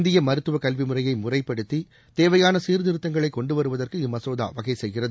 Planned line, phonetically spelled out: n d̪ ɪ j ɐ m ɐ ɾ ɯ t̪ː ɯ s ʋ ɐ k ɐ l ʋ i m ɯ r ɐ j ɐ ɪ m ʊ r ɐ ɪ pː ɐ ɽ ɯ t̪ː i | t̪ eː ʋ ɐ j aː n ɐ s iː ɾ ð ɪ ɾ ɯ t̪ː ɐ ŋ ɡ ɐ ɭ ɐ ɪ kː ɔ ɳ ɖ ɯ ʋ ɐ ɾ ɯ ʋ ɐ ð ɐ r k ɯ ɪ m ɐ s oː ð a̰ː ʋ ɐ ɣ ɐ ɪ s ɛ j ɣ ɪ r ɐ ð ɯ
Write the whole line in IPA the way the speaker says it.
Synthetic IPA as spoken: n d̪ ɪ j ɐ m ɐ ɾ ɯ t̪ː ɯ ʋ ɐ k ɐ l ʋ i m ɯ r ɐ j ɐ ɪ m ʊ r ɐ ɪ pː ɐ ɽ ɯ t̪ː i | t̪ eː ʋ ɐ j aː n ɐ s iː ɾ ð ɪ ɾ ɯ t̪ː ɐ ŋ ɡ ɐ ɭ ɐ ɪ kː ɔ ɳ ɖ ɯ ʋ ɐ ɾ ɯ ʋ ɐ ð ɐ r k ɯ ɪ m ɐ s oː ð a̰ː ʋ ɐ ɣ ɐ ɪ s ɛ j ɣ ɪ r ɐ ð ɯ